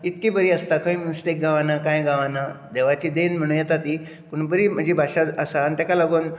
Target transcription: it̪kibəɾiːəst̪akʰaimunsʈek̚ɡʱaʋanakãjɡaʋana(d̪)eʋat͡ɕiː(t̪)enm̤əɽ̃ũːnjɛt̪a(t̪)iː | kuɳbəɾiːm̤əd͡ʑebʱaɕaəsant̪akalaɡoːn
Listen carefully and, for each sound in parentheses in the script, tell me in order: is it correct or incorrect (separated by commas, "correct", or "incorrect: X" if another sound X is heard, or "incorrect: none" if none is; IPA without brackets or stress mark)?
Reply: correct, incorrect: d̪, correct